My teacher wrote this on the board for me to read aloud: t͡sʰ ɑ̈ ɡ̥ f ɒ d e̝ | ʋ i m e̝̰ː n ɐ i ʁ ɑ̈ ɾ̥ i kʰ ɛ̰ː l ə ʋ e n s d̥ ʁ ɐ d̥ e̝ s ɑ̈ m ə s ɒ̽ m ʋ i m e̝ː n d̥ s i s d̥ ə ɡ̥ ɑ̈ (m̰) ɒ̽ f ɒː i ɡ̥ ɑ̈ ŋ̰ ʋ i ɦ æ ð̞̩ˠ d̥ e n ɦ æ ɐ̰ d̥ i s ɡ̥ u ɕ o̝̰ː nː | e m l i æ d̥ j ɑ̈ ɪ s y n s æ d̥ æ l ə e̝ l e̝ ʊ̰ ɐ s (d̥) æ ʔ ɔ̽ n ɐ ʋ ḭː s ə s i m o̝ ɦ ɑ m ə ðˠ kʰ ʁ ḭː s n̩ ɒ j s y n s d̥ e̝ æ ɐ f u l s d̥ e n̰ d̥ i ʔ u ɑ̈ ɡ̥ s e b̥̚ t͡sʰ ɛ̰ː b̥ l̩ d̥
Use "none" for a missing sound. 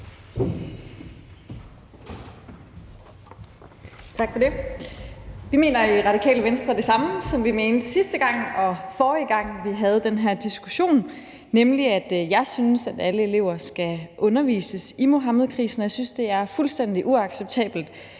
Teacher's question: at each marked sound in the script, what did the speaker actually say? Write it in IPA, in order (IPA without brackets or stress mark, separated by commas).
ŋ̰, ɡ̥